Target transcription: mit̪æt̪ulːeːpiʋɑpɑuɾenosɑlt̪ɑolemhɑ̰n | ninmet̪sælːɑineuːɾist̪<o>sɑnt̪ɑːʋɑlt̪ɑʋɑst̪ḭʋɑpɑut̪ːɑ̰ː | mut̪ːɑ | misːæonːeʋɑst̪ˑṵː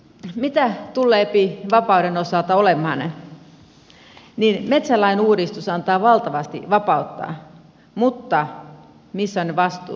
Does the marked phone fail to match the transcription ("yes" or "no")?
yes